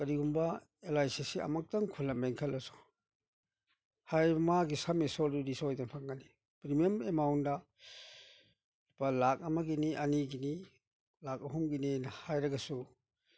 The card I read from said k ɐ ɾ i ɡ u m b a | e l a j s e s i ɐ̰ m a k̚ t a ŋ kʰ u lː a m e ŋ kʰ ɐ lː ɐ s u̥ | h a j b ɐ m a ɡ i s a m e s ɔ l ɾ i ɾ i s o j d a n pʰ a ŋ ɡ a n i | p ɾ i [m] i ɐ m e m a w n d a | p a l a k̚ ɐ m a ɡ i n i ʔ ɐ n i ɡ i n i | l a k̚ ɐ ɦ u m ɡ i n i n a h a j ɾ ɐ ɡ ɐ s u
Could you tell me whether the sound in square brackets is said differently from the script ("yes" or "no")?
no